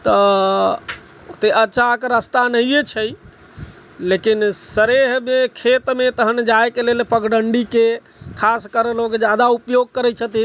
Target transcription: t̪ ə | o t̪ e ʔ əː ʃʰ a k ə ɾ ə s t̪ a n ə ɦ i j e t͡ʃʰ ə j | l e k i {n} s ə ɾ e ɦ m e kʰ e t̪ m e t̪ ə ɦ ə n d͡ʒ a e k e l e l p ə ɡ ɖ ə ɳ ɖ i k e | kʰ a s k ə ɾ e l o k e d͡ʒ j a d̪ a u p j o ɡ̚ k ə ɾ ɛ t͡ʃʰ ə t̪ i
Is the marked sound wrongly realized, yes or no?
no